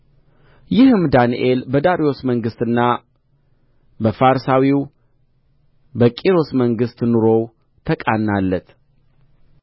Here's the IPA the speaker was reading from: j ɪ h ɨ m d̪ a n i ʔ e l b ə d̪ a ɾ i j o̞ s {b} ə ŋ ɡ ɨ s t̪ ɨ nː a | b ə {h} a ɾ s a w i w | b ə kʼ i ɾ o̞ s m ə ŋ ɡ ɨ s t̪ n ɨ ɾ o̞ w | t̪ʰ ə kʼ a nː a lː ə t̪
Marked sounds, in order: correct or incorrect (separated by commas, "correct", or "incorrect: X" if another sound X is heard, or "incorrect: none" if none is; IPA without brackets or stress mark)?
incorrect: m, incorrect: f